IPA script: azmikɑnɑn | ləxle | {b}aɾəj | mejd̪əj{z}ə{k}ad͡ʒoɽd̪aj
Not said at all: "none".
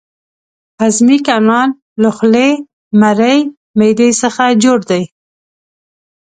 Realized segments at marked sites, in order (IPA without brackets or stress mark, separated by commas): m, s, x